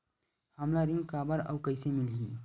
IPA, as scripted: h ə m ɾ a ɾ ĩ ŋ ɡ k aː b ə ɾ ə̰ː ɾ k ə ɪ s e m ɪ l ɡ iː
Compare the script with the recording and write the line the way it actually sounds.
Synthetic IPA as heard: h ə m l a ɾ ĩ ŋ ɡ k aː b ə ɾ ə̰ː k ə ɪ s e m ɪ l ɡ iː